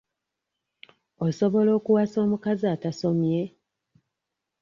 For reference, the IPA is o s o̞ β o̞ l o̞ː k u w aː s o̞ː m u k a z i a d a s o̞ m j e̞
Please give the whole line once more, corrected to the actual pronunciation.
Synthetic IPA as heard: o s o̞ β o̞ l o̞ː k u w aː s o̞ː m u k a z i a t a s o̞ m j e̞